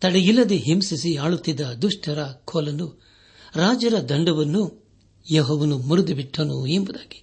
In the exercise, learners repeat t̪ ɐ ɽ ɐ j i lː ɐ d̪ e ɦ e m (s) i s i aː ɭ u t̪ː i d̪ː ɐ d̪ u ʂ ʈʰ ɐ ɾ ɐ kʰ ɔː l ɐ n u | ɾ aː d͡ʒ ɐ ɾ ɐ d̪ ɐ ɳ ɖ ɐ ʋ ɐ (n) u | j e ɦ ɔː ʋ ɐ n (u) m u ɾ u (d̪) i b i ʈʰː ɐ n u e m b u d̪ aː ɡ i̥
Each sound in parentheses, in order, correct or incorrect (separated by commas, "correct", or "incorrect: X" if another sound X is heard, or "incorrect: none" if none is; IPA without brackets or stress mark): correct, incorrect: nː, correct, correct